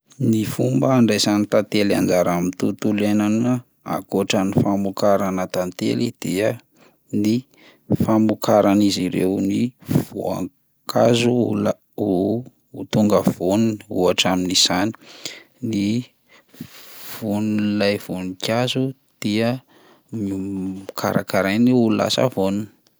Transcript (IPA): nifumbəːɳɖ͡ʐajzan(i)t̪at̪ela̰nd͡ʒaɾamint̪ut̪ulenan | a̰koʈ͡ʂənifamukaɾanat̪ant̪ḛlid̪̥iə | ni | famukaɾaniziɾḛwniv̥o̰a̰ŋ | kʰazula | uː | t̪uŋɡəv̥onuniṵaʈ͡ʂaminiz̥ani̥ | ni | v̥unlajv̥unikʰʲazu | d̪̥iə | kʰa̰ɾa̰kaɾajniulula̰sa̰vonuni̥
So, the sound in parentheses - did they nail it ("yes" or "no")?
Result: yes